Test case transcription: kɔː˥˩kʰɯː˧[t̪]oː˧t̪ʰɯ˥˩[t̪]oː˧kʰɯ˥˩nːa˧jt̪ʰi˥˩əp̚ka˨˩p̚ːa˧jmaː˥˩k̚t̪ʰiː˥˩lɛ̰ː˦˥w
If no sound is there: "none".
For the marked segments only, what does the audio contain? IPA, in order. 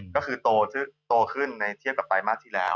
t̪, t̪

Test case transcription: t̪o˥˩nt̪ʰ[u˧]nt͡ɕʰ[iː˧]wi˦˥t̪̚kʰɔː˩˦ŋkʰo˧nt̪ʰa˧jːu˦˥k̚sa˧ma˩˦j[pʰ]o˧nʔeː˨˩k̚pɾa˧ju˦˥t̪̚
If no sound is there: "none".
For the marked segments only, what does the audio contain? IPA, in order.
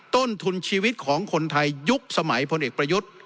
u˧, iː˧, pʰ

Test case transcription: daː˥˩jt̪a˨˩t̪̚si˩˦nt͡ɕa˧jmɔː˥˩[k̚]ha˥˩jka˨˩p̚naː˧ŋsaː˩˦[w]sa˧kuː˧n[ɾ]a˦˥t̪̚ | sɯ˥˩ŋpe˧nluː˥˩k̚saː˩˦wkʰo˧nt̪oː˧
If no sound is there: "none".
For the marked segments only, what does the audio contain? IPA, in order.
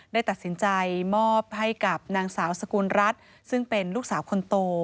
p̚, w, ɾ

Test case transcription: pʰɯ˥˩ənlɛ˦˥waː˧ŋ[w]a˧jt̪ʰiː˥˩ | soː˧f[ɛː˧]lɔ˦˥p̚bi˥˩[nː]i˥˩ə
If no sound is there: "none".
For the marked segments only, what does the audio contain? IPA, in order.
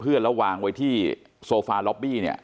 w, aː˧, n

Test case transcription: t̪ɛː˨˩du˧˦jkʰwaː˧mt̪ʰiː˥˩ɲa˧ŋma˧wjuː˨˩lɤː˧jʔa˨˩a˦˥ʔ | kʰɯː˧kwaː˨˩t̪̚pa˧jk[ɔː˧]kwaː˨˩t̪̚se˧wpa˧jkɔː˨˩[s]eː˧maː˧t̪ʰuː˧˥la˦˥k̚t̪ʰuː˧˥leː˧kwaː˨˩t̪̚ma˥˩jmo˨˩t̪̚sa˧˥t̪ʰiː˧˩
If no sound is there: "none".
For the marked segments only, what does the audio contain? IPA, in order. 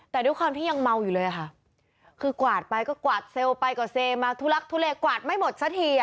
ɔː˥˩, s

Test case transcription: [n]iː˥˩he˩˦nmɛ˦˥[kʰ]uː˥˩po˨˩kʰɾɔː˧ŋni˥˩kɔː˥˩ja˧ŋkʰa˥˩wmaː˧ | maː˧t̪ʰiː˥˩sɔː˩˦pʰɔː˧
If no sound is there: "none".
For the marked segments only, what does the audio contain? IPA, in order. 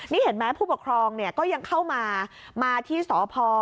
n, pʰ

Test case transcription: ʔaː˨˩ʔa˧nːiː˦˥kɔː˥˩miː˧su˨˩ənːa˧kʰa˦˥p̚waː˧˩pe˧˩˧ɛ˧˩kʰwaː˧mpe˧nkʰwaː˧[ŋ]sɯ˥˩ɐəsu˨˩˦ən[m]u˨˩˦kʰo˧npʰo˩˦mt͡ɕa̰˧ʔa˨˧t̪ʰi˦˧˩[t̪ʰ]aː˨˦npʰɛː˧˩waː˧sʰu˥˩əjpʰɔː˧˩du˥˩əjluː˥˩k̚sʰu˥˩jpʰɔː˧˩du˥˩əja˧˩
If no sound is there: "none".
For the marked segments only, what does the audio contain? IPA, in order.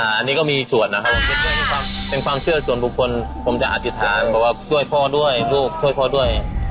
m, b, t̪ʰ

